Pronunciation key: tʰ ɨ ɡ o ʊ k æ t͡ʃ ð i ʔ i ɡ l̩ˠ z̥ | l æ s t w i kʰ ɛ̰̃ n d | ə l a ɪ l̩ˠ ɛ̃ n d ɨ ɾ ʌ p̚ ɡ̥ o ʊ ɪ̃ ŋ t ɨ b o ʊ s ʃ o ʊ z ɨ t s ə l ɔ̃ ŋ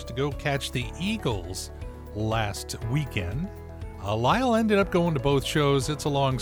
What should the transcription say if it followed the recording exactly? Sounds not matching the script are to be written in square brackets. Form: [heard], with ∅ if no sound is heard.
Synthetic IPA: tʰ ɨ ɡ o ʊ [kʰ] æ t͡ʃ ð i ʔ i ɡ l̩ˠ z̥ | l æ s t w i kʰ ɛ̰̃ n d | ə l a ɪ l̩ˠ ɛ̃ n d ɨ ɾ ʌ p̚ ɡ̥ o ʊ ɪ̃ ŋ t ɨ b o ʊ [θ] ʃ o ʊ z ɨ t s ə l ɔ̃ ŋ